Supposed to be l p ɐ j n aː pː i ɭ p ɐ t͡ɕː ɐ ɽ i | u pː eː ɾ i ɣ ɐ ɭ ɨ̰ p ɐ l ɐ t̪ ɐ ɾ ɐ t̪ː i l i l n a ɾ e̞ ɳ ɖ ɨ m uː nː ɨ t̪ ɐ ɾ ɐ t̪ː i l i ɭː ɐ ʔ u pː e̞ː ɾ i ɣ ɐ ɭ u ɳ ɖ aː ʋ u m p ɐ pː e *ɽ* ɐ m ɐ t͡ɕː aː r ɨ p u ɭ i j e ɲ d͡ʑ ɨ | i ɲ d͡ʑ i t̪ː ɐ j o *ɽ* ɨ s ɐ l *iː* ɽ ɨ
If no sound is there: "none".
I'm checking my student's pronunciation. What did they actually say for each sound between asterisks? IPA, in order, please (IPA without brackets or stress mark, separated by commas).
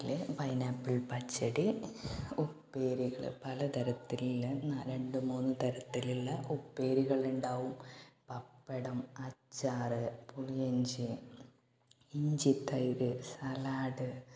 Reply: ɽ, ɾ, aː